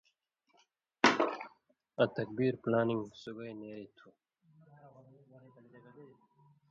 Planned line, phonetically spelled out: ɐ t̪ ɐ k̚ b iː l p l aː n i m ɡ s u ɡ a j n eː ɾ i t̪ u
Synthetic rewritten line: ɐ t̪ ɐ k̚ b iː ɾ p l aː n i ŋ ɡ s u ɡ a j n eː ɾ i t̪ʰ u